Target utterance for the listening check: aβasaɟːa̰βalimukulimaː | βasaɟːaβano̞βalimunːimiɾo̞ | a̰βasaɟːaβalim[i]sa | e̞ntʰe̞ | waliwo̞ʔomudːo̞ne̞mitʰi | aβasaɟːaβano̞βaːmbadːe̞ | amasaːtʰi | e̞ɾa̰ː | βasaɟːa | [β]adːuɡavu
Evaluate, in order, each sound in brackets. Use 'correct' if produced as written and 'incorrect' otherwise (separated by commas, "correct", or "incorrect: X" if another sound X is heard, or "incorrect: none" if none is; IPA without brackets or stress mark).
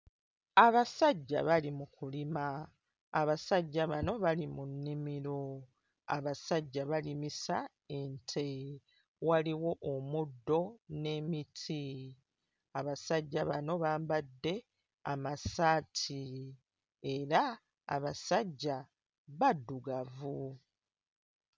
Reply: correct, correct